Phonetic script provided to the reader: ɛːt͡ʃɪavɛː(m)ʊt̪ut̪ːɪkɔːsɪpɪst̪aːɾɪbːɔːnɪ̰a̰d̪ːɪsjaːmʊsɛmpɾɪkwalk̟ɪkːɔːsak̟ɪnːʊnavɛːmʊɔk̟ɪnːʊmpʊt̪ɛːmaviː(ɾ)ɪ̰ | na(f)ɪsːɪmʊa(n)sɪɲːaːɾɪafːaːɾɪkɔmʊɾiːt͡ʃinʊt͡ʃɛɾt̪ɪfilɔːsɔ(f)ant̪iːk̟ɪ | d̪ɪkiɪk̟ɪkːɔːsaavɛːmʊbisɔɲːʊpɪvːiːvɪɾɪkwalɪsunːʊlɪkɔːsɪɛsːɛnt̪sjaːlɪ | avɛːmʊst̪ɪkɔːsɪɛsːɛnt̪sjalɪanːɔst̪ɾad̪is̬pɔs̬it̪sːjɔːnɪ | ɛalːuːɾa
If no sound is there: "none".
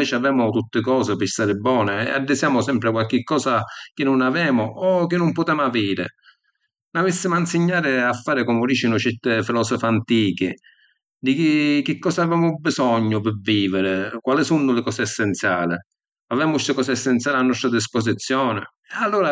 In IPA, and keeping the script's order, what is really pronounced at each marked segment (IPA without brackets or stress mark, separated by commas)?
m, ɾ, v, n, f